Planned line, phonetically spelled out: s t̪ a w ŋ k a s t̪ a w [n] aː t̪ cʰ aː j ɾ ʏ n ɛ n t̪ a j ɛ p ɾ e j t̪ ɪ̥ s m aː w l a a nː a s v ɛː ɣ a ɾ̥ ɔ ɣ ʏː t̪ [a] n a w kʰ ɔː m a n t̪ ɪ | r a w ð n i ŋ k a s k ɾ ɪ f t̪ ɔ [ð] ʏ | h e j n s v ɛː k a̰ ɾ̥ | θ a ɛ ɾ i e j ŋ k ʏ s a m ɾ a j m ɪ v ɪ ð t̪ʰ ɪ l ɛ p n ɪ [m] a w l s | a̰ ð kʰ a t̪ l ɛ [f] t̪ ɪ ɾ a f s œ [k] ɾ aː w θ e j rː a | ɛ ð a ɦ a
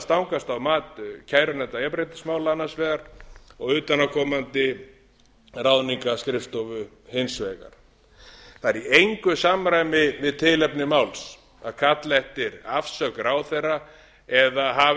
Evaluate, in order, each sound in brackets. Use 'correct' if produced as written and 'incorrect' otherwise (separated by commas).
incorrect, correct, incorrect, correct, incorrect, correct